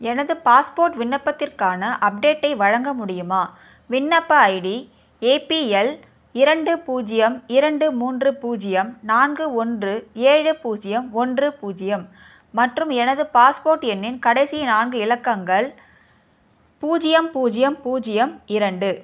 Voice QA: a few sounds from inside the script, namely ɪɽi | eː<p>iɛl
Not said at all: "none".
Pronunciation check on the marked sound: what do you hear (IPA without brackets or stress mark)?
p